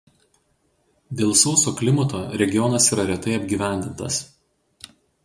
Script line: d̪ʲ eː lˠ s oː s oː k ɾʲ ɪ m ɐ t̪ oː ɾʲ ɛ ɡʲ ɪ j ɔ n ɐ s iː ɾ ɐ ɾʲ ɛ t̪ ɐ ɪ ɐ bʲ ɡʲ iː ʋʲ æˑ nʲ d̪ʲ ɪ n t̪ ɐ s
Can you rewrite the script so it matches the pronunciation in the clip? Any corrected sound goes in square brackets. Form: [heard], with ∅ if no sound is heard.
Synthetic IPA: d̪ʲ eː lˠ s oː s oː k [lʲ] ɪ m ɐ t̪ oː ɾʲ ɛ ɡʲ ɪ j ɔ n ɐ s iː ɾ ɐ ɾʲ ɛ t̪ ɐ ɪ ɐ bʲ ɡʲ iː ʋʲ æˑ nʲ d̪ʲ ɪ n t̪ ɐ s